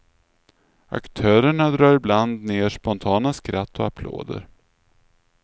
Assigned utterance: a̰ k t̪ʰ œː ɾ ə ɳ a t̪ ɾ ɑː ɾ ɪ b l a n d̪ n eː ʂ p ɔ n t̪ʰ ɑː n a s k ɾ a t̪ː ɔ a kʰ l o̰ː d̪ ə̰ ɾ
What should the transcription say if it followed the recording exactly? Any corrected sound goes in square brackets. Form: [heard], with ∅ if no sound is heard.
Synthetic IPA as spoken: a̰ k t̪ʰ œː ɾ ə ɳ a [d̪] ɾ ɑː ɾ ɪ b l a n d̪ n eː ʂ p ɔ n t̪ʰ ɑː n a s k ɾ a t̪ː ɔ a [pʰ] l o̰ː d̪ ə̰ ɾ